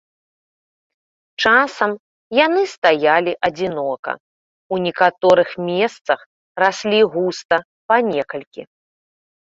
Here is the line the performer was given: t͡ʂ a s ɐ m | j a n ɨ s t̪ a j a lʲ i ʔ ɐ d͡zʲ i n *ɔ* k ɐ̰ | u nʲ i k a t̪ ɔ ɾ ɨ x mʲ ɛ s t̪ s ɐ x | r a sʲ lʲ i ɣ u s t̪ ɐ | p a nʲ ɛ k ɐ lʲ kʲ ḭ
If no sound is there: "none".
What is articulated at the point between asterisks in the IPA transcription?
ɔ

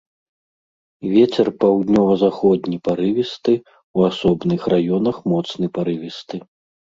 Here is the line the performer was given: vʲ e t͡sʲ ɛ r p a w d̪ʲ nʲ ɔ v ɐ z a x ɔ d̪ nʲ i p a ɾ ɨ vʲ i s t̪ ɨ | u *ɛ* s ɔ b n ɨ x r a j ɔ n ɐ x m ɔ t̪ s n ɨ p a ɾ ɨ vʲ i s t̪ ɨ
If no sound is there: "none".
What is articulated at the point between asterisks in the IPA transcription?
a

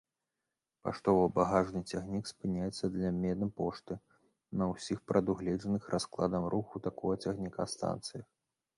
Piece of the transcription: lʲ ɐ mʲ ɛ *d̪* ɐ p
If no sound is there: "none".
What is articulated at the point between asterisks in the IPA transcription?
d̪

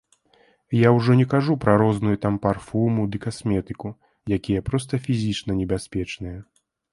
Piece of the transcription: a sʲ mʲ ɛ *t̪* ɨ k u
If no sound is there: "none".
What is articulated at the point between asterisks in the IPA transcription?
t̪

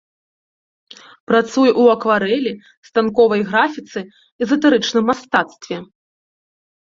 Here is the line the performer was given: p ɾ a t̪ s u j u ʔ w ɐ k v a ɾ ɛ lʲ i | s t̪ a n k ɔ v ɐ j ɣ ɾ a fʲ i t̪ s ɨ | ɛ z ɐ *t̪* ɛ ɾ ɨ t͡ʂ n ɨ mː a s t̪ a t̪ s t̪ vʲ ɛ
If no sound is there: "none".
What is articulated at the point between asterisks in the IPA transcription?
t̪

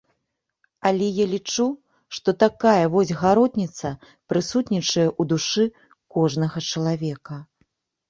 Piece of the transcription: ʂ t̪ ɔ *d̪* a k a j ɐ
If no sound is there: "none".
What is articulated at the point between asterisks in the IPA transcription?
t̪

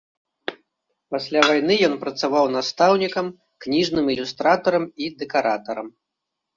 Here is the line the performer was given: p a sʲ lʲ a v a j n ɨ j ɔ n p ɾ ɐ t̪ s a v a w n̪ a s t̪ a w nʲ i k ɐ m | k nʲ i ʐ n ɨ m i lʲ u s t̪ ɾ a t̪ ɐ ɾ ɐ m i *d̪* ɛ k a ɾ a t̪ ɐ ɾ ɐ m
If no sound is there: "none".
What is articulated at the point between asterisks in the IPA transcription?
d̪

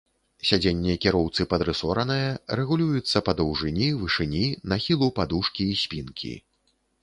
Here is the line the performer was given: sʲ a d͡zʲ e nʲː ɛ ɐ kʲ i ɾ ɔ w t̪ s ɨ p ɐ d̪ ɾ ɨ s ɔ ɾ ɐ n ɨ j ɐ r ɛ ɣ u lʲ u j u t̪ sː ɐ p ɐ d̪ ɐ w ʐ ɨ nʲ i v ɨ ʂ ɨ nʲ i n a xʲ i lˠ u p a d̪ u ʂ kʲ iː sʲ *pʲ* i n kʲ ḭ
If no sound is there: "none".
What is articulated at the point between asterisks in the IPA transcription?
pʲ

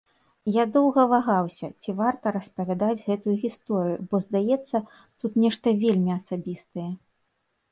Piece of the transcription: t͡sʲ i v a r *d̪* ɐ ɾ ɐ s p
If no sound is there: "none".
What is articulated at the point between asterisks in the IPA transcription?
t̪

